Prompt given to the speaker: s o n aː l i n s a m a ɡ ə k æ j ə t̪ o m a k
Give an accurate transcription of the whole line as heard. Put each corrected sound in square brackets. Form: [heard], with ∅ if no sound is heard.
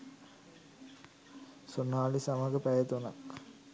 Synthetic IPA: s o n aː l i [∅] s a m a ɡ ə [p] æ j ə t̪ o [n] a k